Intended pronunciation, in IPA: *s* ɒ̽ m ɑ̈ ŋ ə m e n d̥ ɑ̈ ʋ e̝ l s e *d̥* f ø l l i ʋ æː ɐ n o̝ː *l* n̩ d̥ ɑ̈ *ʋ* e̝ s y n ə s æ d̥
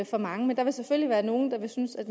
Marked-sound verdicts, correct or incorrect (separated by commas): incorrect, incorrect, incorrect, correct